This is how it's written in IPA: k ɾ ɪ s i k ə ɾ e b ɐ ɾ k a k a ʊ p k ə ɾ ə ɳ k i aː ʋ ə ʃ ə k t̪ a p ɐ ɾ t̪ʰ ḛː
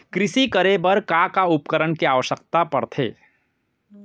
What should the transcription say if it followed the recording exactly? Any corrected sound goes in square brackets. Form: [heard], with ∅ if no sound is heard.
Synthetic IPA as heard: k ɾ ɪ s i k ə ɾ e b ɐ ɾ k a k a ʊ p k ə ɾ ə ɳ k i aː ʋ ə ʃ ə k t̪ a p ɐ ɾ t̪ʰ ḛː

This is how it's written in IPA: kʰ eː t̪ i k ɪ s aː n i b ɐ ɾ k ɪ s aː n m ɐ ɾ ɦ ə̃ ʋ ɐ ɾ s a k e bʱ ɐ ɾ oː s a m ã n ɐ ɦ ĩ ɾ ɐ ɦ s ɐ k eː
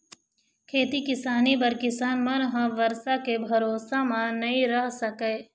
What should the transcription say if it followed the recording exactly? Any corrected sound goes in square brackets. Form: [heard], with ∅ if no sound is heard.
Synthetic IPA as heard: kʰ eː t̪ i k ɪ s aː n i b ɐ ɾ k ɪ s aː n m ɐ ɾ ɦ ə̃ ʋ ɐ ɾ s a k e bʱ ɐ ɾ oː s a m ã n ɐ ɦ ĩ ɾ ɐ ɦ s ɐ k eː

